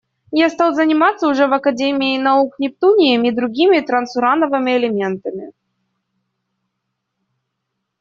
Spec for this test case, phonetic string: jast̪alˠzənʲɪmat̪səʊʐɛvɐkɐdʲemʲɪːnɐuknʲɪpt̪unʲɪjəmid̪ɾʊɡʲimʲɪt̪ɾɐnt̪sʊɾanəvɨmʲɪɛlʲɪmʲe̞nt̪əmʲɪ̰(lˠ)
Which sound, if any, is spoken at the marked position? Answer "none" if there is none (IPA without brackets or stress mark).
none